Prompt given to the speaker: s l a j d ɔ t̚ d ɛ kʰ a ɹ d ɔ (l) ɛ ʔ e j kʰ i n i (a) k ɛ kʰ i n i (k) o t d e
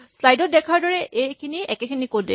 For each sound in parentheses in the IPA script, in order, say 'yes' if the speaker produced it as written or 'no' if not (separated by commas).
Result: no, no, yes